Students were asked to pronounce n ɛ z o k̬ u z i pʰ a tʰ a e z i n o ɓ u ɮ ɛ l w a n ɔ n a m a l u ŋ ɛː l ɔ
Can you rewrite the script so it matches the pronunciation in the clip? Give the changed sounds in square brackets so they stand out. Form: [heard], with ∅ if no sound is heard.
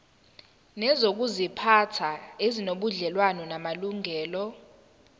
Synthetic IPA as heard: n ɛ z o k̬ u z i pʰ a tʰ a e z i n o ɓ u ɮ ɛ l w a n ɔ n a m a l u ŋ ɛː l ɔ